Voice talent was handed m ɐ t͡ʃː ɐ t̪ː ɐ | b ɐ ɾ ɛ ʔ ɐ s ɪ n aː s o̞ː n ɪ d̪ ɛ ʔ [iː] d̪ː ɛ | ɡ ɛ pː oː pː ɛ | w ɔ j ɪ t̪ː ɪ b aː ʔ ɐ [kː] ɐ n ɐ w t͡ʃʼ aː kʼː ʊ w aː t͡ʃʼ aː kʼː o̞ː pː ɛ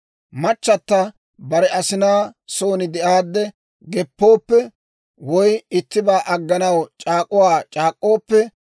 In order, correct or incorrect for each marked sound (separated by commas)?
incorrect, incorrect